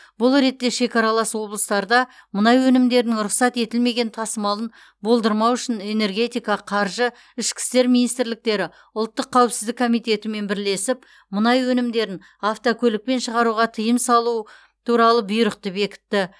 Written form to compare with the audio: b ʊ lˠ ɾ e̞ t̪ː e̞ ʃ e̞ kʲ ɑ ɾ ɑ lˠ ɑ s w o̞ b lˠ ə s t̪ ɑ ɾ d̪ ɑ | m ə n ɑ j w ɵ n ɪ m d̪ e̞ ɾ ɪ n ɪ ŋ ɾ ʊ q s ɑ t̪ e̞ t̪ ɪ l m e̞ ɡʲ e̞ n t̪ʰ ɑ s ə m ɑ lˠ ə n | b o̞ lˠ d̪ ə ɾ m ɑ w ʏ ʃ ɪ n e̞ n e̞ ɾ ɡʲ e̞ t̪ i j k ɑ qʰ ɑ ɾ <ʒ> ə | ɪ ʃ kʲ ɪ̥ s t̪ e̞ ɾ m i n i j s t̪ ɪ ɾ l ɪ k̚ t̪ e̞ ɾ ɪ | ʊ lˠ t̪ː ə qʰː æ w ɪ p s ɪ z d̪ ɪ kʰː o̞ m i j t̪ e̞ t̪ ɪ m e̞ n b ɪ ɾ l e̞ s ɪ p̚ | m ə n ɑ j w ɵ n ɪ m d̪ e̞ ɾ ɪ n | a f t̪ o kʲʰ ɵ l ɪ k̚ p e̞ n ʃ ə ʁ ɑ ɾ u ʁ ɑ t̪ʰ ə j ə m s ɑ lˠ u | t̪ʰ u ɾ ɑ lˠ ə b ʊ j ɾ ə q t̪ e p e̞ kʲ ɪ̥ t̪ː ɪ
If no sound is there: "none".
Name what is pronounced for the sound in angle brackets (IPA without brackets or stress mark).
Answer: ʒ